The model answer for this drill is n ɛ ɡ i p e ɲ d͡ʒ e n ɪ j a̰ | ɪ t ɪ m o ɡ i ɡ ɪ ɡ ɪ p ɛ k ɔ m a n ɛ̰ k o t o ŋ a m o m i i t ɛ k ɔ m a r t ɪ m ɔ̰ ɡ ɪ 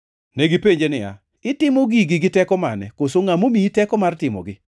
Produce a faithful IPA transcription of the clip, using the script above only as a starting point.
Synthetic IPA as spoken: n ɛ ɡ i p e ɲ d͡ʒ e n ɪ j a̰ | ɪ t ɪ m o ɡ i ɡ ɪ ɡ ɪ t ɛ k ɔ m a n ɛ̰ k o s o ŋ a m o m i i t ɛ k ɔ m a r t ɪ m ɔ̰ ɡ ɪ